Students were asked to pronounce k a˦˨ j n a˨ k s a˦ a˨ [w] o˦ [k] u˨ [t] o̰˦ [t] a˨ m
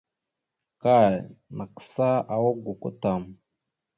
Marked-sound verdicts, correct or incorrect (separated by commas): correct, incorrect, incorrect, correct